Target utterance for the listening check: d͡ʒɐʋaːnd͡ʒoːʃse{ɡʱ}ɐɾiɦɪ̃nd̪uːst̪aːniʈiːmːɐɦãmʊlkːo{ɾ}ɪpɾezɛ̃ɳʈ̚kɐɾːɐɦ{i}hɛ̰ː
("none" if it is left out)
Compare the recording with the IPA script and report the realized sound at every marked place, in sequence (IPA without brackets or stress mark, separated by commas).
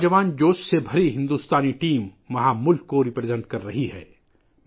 bʱ, ɾ, i